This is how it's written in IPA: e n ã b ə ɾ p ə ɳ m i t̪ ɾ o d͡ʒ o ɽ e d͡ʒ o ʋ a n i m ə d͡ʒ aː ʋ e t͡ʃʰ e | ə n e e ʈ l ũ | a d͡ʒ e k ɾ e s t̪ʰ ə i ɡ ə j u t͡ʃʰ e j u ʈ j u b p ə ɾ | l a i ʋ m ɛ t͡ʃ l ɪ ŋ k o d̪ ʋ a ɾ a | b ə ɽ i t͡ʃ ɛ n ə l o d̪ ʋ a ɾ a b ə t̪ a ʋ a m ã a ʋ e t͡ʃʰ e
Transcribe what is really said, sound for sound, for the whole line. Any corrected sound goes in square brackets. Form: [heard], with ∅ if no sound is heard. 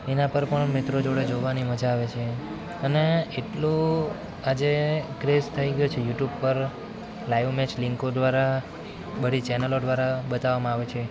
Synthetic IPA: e n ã [p] ə ɾ p ə ɳ m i t̪ ɾ o d͡ʒ o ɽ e d͡ʒ o ʋ a n i m ə d͡ʒ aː ʋ e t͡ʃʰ e | ə n e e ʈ l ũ | a d͡ʒ e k ɾ e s t̪ʰ ə i ɡ ə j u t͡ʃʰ e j u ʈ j u b p ə ɾ | l a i ʋ m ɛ t͡ʃ l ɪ ŋ k o d̪ ʋ a ɾ a | b ə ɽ i t͡ʃ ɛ n ə l o d̪ ʋ a ɾ a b ə t̪ a ʋ a m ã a ʋ e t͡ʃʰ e